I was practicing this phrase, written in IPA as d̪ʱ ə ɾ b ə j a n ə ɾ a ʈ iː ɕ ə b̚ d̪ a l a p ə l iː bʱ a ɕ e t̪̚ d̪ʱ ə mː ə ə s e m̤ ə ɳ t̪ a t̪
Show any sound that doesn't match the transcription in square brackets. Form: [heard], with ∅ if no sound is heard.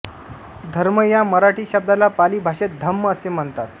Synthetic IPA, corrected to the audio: d̪ʱ ə ɾ [m] ə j a [m] ə ɾ a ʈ iː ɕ ə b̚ d̪ a l a p [a] l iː bʱ a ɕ e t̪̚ d̪ʱ ə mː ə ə s e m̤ ə ɳ t̪ a t̪